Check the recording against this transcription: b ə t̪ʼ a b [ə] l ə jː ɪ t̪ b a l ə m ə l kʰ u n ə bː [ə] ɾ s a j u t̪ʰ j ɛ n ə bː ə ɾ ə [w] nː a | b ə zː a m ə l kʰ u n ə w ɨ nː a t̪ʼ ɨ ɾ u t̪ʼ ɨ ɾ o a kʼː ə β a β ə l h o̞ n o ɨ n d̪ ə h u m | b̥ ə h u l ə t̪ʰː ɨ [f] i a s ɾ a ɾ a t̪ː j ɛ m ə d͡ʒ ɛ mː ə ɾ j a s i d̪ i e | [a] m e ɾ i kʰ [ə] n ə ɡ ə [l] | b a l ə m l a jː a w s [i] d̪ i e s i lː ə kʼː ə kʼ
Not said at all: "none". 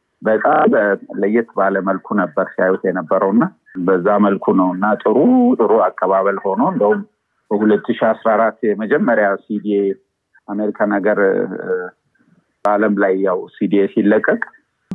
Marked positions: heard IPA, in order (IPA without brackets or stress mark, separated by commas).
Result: ə, ə, w, ʃ, a, a, ɾ, i